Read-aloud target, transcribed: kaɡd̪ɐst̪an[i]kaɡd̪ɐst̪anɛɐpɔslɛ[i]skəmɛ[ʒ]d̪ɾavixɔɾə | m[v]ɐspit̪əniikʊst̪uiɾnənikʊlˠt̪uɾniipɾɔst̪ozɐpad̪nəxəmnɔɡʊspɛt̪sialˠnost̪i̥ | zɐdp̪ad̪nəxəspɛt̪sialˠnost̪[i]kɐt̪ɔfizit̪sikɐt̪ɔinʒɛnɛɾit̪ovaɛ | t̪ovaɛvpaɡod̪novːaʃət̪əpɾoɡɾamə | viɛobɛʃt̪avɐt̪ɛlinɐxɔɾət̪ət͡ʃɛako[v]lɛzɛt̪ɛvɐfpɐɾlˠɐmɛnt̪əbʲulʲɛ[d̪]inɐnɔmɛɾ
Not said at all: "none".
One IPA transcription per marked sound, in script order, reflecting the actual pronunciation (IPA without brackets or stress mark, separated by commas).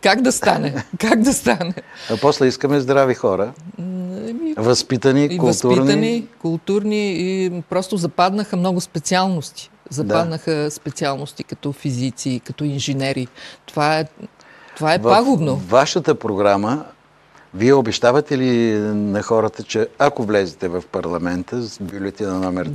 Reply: ɛ, i, z, v, i, v, t̪